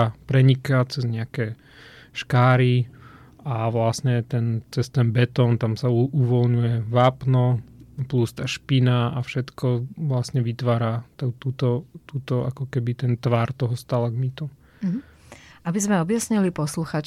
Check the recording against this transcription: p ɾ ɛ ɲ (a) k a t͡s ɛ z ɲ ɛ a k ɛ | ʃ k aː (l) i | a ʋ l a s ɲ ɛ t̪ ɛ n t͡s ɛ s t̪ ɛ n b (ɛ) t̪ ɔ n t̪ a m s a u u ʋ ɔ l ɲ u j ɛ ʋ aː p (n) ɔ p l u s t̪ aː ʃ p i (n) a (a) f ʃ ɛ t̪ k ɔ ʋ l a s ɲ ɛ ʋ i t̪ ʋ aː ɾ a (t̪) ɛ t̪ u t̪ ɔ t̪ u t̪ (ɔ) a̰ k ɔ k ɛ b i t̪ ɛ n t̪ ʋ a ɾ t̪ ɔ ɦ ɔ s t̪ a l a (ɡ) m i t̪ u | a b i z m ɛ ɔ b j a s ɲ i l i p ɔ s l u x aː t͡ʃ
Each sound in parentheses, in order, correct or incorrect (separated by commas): incorrect, incorrect, correct, correct, correct, correct, correct, correct, correct